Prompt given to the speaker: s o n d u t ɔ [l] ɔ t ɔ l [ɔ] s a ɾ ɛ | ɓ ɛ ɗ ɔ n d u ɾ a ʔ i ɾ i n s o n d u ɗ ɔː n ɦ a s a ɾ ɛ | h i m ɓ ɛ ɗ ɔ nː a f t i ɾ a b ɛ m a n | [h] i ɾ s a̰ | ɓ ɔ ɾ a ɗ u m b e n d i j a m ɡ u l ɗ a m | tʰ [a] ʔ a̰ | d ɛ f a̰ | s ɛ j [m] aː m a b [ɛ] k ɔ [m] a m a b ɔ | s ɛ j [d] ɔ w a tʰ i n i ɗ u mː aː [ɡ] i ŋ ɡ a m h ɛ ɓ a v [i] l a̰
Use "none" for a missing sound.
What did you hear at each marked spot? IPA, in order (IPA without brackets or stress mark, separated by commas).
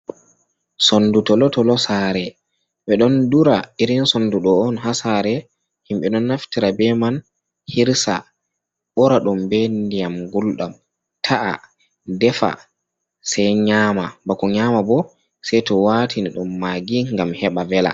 l, ɔ, h, a, ɲ, a, ɲ, t, ɡ, ɛ